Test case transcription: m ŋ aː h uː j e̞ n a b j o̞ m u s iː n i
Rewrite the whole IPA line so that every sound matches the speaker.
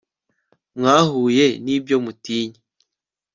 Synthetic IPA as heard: m ŋ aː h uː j e̞ n i b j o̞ m u t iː ɲ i